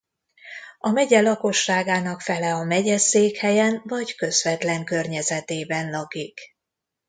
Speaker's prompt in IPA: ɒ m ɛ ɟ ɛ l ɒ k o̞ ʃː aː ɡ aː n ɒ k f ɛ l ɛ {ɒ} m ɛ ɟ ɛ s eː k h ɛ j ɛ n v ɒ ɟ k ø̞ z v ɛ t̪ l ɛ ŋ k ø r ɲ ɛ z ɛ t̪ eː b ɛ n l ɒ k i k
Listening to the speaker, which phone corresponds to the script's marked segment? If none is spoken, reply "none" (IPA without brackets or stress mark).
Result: ɒ